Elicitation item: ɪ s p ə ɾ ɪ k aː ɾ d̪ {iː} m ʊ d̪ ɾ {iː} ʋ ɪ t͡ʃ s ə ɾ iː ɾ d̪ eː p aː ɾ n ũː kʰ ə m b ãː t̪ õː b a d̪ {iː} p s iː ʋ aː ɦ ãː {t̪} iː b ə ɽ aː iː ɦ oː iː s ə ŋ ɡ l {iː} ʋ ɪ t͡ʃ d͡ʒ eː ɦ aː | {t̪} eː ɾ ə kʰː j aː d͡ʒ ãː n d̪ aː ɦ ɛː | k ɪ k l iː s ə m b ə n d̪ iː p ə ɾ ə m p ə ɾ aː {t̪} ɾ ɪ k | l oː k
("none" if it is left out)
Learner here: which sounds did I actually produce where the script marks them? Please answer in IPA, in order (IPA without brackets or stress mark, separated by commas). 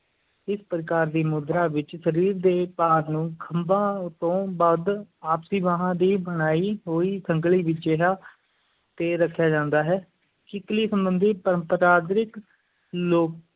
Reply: iː, aː, aː, d̪, iː, t̪, d̪